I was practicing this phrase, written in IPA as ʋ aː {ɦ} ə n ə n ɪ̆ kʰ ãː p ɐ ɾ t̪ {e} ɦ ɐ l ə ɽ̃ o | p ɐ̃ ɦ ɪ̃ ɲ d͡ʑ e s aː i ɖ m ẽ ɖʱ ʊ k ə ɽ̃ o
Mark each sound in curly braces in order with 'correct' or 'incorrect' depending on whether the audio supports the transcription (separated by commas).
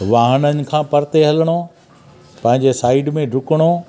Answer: correct, correct